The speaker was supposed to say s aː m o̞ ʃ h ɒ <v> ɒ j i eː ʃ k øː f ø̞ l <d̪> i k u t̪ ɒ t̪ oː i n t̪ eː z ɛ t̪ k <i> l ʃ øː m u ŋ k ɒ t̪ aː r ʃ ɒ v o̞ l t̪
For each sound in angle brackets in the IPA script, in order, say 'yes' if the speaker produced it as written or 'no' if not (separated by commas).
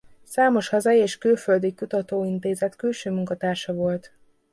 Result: no, yes, no